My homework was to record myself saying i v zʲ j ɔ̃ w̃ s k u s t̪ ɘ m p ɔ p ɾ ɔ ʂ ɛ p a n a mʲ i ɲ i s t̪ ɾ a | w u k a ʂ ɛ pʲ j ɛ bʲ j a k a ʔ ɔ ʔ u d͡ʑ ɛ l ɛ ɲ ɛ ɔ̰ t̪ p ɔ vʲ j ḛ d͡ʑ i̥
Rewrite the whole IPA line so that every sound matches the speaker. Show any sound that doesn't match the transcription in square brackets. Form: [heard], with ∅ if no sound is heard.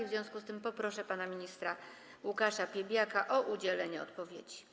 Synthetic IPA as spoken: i v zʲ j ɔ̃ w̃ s k u s t̪ ɘ m p ɔ p ɾ ɔ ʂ ɛ p a n a mʲ i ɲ i s t̪ ɾ a | w u k a ʂ [a] pʲ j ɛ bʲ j a k a ʔ ɔ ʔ u d͡ʑ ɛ l ɛ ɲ ɛ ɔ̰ t̪ p ɔ vʲ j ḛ d͡ʑ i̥